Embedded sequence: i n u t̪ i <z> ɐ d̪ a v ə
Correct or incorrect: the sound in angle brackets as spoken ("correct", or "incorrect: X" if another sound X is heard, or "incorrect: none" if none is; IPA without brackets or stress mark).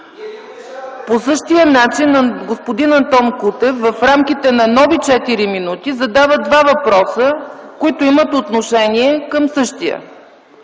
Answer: correct